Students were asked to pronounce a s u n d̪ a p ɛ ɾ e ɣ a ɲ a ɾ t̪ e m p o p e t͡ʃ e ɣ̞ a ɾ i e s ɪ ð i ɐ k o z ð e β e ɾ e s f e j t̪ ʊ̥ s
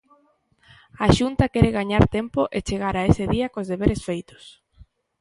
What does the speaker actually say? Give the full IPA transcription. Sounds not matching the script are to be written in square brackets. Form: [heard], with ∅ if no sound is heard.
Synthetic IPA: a [ʃ] u n [t̪] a [k] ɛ ɾ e ɣ a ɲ a ɾ t̪ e m p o [ʔ] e t͡ʃ e ɣ̞ a ɾ [a] e s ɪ ð i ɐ k o z ð e β e ɾ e s f e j t̪ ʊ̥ s

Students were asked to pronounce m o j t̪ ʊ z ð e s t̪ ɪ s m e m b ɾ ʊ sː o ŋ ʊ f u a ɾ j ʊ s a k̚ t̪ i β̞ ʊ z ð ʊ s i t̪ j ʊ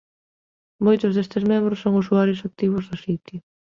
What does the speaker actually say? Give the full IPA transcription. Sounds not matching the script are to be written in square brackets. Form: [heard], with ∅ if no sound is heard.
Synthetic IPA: m o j t̪ ʊ z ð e s t̪ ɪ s m e m b ɾ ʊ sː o ŋ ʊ [s] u a ɾ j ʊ s a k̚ t̪ i β̞ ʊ z ð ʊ s i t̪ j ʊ

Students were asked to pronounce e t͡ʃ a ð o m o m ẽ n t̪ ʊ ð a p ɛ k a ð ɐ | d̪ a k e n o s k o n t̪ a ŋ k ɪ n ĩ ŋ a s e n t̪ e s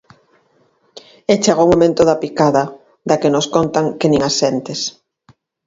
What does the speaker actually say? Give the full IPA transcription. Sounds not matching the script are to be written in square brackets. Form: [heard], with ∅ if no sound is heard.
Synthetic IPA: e t͡ʃ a [ɣ] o m o m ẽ n t̪ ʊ ð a p [i] k a ð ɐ | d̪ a k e n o s k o n t̪ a ŋ k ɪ n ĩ ŋ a s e n t̪ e s

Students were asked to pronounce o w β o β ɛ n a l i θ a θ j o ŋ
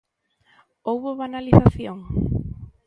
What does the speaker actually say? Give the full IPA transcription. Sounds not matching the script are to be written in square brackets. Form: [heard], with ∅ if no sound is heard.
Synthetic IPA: o w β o β [a] n a l i θ a θ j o ŋ

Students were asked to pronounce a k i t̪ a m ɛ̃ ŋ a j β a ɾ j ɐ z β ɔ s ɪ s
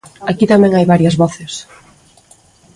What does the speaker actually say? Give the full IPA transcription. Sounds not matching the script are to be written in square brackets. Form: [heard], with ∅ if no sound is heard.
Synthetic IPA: a k i t̪ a m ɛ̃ ŋ a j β a ɾ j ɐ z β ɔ [θ] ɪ s

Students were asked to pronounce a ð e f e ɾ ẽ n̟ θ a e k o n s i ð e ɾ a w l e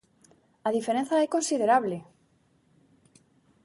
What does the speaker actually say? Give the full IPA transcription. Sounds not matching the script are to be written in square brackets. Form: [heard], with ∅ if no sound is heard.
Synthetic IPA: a ð [i] f e ɾ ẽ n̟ θ a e k o n s i ð e ɾ a [β] l e

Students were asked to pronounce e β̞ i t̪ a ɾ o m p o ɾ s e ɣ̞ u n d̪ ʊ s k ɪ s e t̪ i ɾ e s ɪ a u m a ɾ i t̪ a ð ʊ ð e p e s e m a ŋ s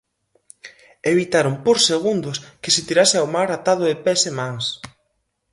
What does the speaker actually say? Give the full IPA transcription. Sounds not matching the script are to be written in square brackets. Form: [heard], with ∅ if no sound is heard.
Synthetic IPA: e β̞ i t̪ a ɾ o m p o ɾ s e ɣ̞ u n d̪ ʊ s k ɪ s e t̪ i ɾ [a] s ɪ a [w] m a ɾ [a] t̪ a ð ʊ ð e p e s e m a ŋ s

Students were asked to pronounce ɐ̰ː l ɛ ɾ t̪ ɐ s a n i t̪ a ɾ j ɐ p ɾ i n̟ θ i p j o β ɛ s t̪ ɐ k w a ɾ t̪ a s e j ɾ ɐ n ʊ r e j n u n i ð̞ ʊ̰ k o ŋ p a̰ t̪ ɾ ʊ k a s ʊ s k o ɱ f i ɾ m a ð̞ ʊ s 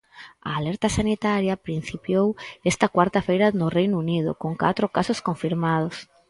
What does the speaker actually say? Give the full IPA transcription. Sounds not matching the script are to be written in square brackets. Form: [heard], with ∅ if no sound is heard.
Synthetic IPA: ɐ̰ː l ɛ ɾ t̪ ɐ s a n i t̪ a ɾ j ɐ p ɾ i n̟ θ i p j o [w] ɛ s t̪ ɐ k w a ɾ t̪ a [f] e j ɾ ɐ n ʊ r e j n u n i ð̞ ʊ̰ k o ŋ [k] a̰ t̪ ɾ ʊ k a s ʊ s k o ɱ f i ɾ m a ð̞ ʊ s

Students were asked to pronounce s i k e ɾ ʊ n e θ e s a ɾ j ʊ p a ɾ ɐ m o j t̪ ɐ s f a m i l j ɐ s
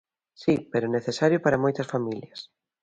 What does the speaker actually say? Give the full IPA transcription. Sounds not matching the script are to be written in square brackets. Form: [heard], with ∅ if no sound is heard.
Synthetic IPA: s i [p] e ɾ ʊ n e θ e s a ɾ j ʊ p a ɾ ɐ m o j t̪ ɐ s f a m i l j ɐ s

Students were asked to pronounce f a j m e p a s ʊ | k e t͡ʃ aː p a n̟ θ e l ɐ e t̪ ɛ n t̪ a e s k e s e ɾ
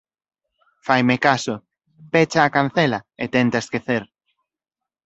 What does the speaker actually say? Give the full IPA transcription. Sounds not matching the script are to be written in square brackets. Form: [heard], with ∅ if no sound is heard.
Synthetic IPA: f a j m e [k] a s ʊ | [p] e t͡ʃ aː [k] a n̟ θ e l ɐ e t̪ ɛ n t̪ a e s k e [θ] e ɾ

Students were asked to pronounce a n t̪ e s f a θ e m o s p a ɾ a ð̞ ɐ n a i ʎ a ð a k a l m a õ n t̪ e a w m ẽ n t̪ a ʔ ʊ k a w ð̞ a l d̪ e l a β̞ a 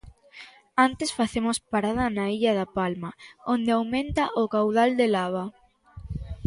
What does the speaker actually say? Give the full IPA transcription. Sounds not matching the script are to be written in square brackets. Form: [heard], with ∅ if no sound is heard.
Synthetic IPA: a n t̪ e s f a θ e m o s p a ɾ a ð̞ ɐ n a i ʎ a ð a [p] a l m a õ n [d̪] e a w m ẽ n t̪ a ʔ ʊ k a w ð̞ a l d̪ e l a β̞ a

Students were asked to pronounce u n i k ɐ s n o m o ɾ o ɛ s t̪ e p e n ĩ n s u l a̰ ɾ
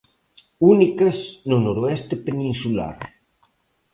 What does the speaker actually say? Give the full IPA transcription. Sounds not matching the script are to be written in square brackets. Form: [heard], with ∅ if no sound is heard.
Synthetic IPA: u n i k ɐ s n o [n] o ɾ o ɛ s t̪ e p e n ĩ n s u l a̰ ɾ

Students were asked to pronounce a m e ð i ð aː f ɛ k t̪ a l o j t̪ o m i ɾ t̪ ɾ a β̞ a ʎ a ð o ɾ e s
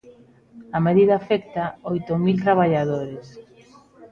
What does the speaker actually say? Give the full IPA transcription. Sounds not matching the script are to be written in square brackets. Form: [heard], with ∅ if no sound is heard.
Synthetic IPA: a m e ð i ð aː f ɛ k t̪ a [∅] o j t̪ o m i [l] t̪ ɾ a β̞ a ʎ a ð o ɾ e s

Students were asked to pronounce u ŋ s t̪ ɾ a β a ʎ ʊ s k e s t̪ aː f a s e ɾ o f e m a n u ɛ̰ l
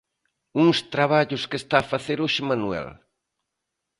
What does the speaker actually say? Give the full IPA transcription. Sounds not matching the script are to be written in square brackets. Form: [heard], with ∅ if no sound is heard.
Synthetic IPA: u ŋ s t̪ ɾ a β a ʎ ʊ s k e s t̪ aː f a [θ] e ɾ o [ʃ] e m a n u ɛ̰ l

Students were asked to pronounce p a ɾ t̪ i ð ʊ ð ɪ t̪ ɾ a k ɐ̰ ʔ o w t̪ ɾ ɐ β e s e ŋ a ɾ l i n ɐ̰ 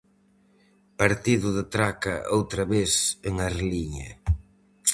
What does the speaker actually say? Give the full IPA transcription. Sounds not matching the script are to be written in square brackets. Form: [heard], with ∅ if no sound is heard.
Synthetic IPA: p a ɾ t̪ i ð ʊ ð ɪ t̪ ɾ a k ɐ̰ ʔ o w t̪ ɾ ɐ β e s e ŋ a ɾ l i [ɲ] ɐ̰

